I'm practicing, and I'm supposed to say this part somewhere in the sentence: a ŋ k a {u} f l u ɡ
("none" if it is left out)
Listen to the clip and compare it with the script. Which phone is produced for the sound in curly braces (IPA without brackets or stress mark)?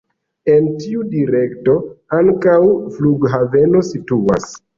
w